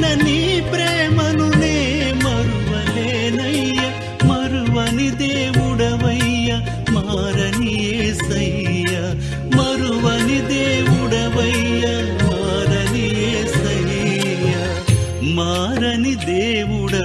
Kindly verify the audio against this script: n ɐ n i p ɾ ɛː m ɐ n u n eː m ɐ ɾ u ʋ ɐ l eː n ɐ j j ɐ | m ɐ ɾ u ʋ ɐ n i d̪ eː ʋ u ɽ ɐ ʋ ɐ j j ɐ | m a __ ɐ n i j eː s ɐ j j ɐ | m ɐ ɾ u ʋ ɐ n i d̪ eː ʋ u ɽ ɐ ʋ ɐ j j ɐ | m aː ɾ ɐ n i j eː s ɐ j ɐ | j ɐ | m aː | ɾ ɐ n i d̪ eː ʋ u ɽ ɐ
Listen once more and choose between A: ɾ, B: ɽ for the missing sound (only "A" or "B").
A